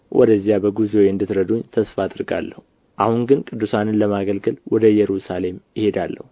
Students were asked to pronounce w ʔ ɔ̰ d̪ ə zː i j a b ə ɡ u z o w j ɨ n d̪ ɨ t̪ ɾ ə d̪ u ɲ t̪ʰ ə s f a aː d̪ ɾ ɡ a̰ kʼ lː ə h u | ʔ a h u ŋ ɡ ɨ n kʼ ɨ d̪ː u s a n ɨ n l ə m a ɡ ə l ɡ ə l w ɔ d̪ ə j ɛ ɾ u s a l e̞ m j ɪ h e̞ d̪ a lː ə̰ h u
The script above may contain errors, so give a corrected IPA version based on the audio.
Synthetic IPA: w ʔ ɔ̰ d̪ ə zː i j a b ə ɡ u z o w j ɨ n d̪ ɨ t̪ ɾ ə d̪ u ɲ t̪ʰ ə s f a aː d̪ ɾ ɡ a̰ lː ə h u | ʔ a h u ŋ ɡ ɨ n kʼ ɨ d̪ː u s a n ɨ n l ə m a ɡ ə l ɡ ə l w ɔ d̪ ə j ɛ ɾ u s a l e̞ m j ɪ h e̞ d̪ a lː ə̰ h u